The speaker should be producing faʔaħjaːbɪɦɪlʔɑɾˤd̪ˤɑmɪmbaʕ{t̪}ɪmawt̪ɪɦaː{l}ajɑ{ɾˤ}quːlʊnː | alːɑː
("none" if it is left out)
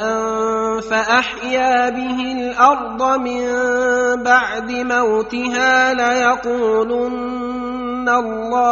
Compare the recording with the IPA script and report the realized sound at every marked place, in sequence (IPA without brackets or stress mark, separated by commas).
d̪, l, none